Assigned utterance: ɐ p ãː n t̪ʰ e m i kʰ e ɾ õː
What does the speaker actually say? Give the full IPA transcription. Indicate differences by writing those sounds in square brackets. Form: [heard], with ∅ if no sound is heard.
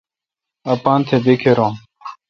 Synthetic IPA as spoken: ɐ p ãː n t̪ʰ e [b] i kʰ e ɾ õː